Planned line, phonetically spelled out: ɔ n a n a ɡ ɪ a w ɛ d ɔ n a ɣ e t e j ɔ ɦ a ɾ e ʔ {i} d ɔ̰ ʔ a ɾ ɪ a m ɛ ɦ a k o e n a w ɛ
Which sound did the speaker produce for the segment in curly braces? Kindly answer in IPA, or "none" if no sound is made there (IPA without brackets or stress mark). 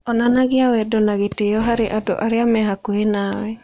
a